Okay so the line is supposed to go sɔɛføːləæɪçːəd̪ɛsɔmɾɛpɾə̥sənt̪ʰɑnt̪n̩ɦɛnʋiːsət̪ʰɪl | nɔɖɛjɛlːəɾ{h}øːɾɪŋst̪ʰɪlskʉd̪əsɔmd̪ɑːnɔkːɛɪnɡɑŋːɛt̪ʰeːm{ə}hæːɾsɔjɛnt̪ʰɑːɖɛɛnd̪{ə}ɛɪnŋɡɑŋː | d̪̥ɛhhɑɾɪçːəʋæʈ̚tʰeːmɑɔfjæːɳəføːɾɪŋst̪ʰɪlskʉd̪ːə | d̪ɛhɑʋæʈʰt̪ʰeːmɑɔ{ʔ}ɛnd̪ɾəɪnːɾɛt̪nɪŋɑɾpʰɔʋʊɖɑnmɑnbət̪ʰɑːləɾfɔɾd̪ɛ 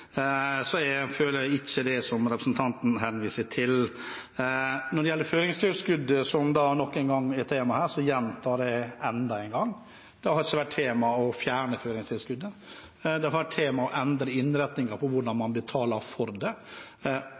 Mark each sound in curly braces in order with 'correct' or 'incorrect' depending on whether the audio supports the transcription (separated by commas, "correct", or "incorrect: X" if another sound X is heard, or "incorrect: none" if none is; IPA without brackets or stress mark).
incorrect: f, incorrect: ɑ, incorrect: ɑ, correct